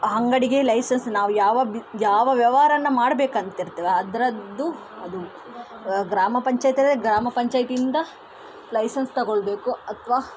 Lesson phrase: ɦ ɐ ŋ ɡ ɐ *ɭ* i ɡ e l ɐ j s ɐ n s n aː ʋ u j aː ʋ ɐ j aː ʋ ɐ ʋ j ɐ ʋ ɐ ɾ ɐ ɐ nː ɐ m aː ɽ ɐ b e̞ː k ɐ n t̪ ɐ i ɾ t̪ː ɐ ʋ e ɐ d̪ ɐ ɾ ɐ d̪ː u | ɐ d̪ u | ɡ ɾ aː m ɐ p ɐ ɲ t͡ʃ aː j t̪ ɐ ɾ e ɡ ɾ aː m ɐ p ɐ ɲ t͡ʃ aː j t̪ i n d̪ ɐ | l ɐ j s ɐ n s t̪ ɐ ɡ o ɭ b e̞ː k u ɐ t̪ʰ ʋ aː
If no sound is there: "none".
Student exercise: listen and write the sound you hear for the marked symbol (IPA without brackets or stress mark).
ɽ